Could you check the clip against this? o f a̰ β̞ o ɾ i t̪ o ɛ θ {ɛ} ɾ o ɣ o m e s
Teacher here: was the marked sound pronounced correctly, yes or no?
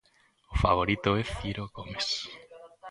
no